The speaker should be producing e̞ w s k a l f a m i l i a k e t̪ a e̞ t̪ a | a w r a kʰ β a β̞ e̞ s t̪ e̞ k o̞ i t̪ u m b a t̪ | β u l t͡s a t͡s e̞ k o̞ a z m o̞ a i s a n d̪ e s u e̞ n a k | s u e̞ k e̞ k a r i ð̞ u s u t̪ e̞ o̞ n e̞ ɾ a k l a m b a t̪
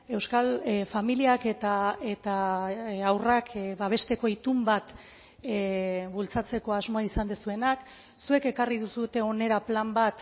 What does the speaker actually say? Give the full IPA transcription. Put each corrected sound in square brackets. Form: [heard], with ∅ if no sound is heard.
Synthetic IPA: e̞ w s k a l f a m i l i a k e t̪ a e̞ t̪ a | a w r a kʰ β a β̞ e̞ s t̪ e̞ k o̞ i t̪ u m b a t̪ | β u l t͡s a t͡s e̞ k o̞ a z m o̞ a i s a n d̪ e s u e̞ n a k | s u e̞ k e̞ k a r i ð̞ u s u t̪ e̞ o̞ n e̞ ɾ a [p] l a m b a t̪